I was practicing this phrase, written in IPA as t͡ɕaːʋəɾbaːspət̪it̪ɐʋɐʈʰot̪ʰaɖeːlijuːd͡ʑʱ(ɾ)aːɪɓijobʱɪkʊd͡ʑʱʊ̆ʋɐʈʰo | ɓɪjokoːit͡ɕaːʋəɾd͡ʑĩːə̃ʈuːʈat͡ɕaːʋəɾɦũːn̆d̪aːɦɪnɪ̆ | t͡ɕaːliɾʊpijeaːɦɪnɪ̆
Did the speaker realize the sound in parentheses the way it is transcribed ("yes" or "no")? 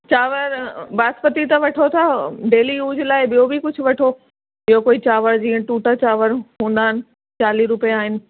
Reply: no